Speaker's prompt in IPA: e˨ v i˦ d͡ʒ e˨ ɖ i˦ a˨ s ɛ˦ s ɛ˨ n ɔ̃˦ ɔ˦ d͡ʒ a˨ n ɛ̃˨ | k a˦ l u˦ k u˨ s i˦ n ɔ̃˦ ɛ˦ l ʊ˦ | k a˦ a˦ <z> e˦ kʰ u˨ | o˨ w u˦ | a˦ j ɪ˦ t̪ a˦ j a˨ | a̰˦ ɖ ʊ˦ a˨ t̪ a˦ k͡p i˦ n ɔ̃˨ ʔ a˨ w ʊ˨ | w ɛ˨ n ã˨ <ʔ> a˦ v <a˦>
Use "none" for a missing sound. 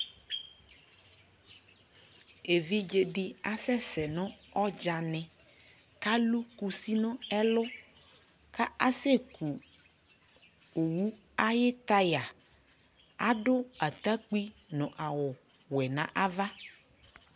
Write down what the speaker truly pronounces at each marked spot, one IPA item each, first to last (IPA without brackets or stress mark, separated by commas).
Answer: s, ʔ, a˦